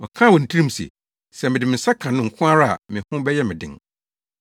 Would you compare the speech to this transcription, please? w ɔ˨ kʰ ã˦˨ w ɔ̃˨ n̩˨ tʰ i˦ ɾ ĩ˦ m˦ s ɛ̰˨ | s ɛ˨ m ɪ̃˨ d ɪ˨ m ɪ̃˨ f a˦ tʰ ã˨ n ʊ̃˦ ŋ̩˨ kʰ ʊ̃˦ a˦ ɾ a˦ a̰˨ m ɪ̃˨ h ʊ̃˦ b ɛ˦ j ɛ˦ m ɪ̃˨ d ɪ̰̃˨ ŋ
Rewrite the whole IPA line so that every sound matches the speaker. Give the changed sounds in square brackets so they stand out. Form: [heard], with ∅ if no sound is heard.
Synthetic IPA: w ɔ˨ kʰ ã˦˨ w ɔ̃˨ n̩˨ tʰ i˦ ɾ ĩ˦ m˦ s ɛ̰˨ | s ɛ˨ m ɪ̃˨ d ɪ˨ m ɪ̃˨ [s] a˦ [kʰ] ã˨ n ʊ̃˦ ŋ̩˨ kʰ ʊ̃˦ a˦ ɾ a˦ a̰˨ m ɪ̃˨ h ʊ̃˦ b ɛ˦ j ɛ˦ m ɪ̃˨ d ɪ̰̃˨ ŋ